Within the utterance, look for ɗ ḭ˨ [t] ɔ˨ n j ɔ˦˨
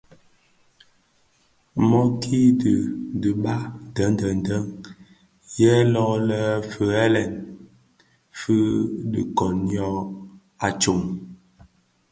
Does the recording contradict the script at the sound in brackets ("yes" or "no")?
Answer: yes